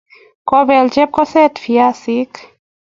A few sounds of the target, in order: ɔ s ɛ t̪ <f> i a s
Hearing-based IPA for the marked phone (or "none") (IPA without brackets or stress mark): f